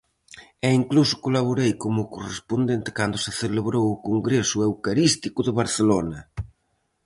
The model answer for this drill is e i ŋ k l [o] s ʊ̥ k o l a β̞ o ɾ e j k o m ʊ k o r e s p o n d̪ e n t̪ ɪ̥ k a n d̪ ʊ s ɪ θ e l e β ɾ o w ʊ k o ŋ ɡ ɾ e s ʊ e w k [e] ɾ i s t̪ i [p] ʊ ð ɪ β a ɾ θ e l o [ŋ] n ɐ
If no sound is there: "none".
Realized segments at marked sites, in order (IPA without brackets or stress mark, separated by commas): u, a, k, none